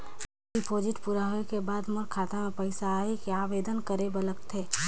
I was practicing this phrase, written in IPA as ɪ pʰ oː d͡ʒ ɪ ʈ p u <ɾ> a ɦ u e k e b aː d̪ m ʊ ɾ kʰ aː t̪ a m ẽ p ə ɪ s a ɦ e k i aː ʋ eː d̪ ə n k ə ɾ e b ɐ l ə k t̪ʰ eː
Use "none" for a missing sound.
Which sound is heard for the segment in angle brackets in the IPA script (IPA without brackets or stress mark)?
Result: ɾ